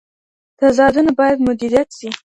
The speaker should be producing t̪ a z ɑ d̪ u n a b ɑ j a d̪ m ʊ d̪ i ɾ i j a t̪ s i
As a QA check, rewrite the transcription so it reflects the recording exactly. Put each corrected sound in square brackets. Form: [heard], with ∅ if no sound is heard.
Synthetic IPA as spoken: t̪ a z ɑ d̪ u n a b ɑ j a d̪ m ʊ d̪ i ɾ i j a t̪ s i